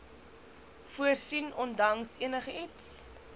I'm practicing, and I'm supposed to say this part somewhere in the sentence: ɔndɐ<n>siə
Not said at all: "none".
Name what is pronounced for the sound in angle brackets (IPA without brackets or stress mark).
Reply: ŋ